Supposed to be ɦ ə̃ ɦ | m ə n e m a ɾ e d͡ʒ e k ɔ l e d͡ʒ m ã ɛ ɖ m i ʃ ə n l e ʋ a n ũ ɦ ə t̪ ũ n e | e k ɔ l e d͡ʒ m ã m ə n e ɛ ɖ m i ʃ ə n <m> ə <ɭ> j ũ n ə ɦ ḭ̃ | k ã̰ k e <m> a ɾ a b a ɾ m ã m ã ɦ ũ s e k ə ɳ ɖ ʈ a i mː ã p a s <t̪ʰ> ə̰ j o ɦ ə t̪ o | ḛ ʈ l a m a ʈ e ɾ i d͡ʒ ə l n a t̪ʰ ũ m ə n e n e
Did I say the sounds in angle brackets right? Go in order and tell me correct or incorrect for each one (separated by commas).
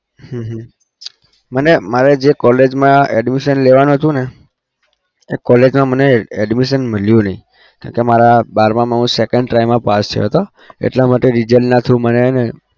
correct, incorrect, correct, correct